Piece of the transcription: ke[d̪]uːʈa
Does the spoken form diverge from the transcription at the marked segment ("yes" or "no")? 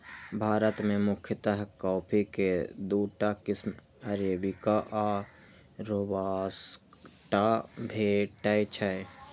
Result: no